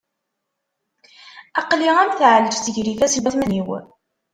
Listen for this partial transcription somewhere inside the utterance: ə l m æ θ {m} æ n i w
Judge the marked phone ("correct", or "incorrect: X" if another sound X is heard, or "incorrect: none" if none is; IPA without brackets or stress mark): correct